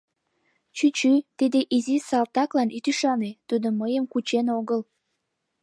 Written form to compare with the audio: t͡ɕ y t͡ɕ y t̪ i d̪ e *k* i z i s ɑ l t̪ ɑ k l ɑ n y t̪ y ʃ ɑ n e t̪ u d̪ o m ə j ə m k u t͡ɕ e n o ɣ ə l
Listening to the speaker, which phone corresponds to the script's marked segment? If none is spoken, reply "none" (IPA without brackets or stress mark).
ʔ